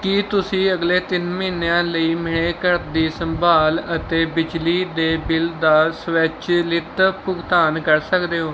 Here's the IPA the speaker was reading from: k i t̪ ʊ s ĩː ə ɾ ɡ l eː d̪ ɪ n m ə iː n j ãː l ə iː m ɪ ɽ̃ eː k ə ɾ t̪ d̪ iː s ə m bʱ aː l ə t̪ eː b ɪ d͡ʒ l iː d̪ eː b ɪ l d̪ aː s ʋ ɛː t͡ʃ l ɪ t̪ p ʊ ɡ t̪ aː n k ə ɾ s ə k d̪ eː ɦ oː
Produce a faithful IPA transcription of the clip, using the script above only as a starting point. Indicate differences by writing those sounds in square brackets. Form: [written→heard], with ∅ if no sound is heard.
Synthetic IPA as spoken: k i t̪ ʊ s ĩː ə [ɾ→∅] ɡ l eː [d̪→t̪] ɪ n m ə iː n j ãː l ə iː m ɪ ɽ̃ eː k ə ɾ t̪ d̪ iː s ə m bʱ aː l ə t̪ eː b ɪ d͡ʒ l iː d̪ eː b ɪ l d̪ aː s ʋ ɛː t͡ʃ l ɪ t̪ p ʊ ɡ t̪ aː n k ə ɾ s ə k d̪ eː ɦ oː

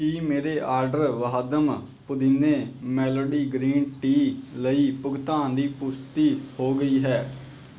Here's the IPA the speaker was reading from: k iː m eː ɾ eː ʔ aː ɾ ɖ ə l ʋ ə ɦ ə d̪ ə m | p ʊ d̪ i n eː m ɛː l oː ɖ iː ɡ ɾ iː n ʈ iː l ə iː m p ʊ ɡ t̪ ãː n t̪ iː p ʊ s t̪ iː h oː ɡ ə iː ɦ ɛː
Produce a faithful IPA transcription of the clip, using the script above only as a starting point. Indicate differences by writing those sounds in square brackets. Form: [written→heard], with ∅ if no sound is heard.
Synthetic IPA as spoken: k iː m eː ɾ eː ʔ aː ɾ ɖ ə [l→ɾ] ʋ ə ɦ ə d̪ ə m | p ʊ d̪ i n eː m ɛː l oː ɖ iː ɡ ɾ iː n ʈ iː l ə iː [m→∅] p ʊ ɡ t̪ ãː n [t̪→d̪] iː p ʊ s t̪ iː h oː ɡ ə iː ɦ ɛː

